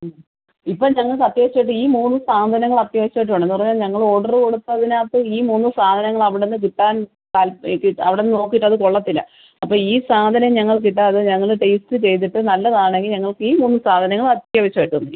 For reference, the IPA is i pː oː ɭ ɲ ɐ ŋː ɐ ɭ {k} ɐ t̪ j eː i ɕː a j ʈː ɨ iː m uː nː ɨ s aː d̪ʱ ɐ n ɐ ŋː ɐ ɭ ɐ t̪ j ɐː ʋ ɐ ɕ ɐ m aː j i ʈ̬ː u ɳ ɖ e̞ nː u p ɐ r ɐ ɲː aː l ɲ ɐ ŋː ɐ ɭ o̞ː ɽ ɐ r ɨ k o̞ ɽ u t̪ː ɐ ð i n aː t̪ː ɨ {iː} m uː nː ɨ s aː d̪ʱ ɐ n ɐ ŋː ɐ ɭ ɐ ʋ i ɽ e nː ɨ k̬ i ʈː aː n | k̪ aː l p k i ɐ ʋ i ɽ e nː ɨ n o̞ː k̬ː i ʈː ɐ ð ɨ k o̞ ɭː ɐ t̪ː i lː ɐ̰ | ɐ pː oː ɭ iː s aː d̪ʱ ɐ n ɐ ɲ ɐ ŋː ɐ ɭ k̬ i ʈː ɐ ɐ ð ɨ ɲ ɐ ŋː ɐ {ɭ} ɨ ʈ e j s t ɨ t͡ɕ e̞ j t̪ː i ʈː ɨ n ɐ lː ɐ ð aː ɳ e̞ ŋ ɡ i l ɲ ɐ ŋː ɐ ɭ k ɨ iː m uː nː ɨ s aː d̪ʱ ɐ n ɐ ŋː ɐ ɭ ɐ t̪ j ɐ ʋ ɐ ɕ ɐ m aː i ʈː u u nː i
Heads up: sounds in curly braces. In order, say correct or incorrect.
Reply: correct, correct, correct

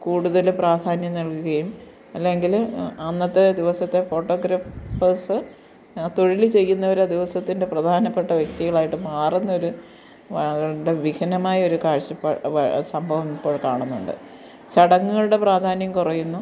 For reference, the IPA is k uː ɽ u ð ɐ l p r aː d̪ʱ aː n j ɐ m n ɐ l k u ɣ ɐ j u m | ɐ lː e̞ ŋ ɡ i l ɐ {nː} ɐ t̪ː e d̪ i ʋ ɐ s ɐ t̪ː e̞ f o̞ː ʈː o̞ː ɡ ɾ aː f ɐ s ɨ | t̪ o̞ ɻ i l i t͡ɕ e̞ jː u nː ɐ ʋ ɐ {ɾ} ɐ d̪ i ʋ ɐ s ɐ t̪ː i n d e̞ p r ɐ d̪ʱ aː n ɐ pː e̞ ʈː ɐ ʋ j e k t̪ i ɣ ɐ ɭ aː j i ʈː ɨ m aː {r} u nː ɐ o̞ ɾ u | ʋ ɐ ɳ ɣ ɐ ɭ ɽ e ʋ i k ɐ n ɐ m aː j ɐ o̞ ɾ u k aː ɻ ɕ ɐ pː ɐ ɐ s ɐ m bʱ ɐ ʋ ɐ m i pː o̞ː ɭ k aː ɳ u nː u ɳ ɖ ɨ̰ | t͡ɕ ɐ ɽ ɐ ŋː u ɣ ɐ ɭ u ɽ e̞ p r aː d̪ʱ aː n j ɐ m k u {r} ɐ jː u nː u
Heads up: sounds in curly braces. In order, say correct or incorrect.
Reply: correct, correct, correct, correct

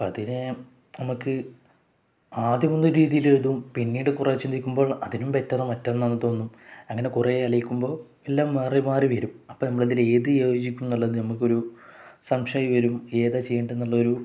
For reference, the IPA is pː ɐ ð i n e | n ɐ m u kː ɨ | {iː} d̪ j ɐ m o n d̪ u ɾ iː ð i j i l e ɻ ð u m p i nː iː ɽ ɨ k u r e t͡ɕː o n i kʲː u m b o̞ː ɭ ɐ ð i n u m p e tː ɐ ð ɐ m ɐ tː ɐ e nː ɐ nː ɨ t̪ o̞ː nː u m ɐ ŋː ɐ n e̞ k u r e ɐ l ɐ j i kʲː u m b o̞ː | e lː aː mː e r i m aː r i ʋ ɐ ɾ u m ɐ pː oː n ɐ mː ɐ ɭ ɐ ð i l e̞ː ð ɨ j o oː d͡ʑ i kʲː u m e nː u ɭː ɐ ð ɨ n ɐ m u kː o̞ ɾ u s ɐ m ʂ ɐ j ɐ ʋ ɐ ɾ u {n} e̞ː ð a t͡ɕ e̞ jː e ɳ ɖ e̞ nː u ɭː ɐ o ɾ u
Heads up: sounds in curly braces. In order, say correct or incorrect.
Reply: incorrect, incorrect

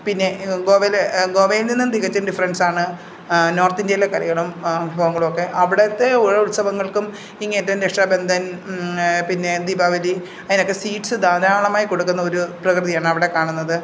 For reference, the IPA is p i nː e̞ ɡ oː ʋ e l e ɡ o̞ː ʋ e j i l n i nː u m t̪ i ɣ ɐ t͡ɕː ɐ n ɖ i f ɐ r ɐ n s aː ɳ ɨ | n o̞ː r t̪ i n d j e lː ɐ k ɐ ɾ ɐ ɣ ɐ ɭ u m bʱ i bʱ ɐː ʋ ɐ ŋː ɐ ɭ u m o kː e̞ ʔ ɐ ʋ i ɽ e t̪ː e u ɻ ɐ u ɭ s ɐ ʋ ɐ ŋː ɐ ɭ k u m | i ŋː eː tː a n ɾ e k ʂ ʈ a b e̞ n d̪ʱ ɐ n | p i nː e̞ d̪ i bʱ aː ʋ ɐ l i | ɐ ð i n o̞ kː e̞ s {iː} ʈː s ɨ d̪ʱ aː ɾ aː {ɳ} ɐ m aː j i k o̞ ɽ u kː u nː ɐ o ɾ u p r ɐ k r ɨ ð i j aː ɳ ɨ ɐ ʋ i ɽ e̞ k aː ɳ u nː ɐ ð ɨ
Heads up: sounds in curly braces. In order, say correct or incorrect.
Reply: correct, correct

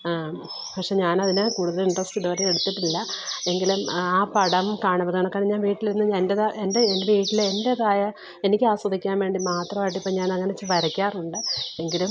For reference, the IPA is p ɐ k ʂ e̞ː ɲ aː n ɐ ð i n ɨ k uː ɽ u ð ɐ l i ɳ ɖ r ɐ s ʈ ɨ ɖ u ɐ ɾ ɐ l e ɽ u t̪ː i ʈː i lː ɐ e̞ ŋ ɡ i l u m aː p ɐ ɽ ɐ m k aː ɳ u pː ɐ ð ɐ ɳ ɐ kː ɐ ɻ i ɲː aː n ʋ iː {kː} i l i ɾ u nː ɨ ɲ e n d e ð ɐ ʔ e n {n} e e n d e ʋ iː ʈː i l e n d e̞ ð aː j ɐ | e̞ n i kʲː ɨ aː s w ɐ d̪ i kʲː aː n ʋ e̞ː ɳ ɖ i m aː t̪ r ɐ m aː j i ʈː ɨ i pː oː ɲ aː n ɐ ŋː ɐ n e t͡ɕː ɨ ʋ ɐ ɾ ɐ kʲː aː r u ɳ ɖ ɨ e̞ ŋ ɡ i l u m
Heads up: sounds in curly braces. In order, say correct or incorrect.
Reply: incorrect, incorrect

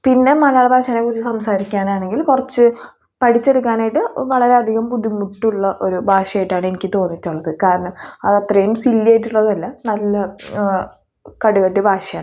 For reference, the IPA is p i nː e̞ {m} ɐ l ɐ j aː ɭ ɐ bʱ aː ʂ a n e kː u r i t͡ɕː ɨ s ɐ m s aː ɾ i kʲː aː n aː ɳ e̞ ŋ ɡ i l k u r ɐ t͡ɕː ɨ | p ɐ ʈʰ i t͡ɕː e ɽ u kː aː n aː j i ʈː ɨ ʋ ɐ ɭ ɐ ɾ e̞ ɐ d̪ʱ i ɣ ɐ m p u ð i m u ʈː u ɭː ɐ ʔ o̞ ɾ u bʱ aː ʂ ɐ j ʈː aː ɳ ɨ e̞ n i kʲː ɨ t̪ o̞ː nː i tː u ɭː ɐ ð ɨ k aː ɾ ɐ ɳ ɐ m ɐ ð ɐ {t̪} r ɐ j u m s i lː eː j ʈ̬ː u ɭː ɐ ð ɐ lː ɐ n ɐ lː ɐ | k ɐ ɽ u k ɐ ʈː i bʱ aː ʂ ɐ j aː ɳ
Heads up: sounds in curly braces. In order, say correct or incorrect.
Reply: correct, correct

